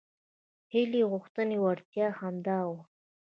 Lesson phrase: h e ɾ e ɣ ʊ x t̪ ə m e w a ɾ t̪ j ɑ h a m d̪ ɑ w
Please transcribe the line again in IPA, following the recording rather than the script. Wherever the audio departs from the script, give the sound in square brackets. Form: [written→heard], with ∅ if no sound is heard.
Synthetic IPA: h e [ɾ→l] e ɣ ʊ x t̪ ə [m→n] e w a ɾ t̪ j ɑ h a m d̪ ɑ w